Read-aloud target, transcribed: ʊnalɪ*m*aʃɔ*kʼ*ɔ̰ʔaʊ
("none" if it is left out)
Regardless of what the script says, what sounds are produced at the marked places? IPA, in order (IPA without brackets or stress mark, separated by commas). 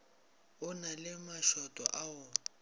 m, tʼ